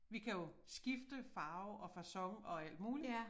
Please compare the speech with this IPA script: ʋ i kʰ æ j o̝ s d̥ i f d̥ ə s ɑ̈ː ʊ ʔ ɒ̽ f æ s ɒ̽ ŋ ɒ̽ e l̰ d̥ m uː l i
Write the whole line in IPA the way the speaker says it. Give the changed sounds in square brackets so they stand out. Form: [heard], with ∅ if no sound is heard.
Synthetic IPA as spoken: ʋ i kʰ æ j o̝ s [ɡ̥] i f d̥ ə [f] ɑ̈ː ʊ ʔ ɒ̽ f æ s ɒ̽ ŋ ɒ̽ [æ] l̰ d̥ m uː l i